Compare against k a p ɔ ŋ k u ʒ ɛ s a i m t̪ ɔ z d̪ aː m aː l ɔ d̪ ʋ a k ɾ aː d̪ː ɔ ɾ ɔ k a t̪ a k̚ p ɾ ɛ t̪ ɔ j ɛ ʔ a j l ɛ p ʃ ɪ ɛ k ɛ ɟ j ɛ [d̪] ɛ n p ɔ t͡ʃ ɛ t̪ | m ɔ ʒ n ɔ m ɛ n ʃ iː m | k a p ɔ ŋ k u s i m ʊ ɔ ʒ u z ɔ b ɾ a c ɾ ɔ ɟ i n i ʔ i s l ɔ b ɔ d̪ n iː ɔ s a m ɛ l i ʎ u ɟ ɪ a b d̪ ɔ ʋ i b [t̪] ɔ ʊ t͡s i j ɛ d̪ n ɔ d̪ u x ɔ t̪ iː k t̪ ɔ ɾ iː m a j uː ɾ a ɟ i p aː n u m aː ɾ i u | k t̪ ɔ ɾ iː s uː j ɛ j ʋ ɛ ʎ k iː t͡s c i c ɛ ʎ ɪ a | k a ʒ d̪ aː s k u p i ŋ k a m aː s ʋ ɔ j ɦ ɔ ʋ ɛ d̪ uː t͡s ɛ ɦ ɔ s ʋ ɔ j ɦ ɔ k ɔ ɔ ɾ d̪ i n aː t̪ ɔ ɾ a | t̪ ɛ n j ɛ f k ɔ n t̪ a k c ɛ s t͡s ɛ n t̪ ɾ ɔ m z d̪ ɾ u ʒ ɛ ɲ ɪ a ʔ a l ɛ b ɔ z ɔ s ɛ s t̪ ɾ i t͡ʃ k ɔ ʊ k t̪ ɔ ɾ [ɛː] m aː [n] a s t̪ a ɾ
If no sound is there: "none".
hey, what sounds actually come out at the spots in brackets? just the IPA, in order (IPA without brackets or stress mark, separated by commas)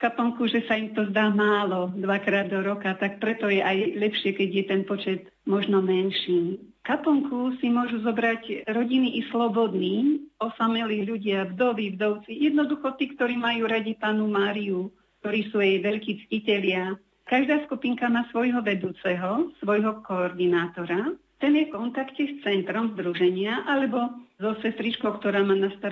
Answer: t̪, d̪, aː, n